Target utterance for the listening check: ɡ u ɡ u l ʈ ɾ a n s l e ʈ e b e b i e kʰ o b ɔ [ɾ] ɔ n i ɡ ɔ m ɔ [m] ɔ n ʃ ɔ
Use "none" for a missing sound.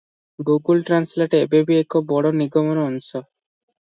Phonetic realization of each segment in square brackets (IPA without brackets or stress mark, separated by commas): ɽ, n